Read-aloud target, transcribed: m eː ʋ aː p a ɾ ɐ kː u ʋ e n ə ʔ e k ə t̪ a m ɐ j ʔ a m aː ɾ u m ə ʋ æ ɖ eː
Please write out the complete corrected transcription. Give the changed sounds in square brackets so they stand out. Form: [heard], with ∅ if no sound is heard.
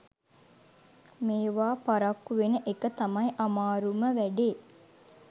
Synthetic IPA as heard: m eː ʋ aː p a ɾ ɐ kː u ʋ e n ə ʔ e k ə t̪ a m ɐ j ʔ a m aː ɾ u m ə ʋ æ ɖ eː